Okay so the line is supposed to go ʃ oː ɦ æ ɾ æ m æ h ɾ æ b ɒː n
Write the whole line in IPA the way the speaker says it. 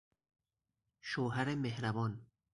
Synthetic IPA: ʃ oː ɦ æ ɾ e m e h ɾ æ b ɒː n